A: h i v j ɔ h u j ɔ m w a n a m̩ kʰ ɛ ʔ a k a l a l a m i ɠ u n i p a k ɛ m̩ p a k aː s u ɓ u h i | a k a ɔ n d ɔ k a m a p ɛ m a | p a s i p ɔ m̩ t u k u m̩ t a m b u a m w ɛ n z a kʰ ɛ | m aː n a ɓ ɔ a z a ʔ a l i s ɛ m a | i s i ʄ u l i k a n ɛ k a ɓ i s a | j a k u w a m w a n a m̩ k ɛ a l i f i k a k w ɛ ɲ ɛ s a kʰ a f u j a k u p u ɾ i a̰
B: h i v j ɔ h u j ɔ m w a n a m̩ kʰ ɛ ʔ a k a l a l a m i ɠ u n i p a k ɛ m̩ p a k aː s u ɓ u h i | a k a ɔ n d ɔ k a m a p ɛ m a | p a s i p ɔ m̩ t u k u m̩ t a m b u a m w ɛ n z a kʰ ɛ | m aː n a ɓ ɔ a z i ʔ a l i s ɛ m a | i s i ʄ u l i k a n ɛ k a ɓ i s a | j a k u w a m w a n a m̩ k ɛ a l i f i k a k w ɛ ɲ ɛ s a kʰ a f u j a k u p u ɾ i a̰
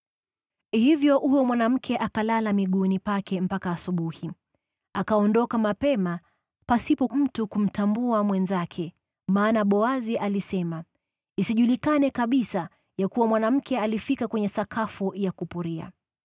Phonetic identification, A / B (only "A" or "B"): B